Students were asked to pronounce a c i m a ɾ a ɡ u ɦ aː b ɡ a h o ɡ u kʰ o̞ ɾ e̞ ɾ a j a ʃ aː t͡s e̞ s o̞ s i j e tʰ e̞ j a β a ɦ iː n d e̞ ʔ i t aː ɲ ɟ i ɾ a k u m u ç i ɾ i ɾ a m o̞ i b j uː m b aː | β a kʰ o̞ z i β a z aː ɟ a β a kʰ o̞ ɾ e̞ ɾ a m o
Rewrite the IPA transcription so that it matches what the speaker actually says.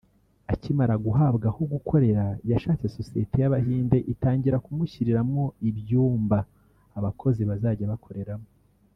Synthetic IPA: a c i m a ɾ a ɡ u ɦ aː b ɡ a h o ɡ u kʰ o̞ ɾ e̞ ɾ a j a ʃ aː t͡s e̞ s o̞ s i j e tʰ e̞ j a β a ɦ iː n d e̞ ʔ i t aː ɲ ɟ i ɾ a k u m u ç i ɾ i ɾ a m o̞ i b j uː m b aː | β a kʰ o̞ z i β a z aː ɟ a β a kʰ o̞ ɾ e̞ ɾ a m o